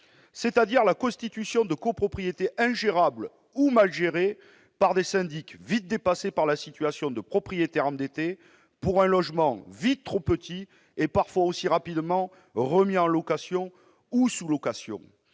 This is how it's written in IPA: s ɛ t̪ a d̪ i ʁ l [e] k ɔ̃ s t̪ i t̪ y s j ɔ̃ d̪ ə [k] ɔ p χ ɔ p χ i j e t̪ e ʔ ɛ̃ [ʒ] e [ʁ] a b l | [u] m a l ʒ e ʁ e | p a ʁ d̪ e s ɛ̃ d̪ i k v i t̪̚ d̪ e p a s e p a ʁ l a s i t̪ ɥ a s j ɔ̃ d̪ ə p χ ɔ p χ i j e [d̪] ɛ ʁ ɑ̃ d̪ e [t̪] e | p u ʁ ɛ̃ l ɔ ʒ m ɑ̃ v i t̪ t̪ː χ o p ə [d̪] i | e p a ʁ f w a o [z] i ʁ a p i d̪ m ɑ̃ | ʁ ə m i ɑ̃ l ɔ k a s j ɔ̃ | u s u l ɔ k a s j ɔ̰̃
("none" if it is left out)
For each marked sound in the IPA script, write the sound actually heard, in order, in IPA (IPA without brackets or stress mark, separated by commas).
a, k, ʒ, ʁ, u, t̪, t̪, t̪, s